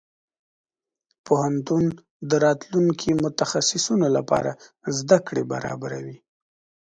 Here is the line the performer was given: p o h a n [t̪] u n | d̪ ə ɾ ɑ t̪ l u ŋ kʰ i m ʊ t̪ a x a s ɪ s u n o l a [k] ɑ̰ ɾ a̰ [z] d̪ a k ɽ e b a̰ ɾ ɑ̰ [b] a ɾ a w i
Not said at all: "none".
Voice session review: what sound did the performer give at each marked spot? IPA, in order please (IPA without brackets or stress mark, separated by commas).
t̪, p, z, b